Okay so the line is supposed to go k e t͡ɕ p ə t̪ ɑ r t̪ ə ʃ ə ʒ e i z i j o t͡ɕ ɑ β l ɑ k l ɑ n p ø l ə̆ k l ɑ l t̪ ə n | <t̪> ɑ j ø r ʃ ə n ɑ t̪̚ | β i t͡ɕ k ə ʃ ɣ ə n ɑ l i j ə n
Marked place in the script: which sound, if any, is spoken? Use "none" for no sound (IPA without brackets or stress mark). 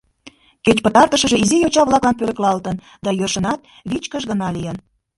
d̪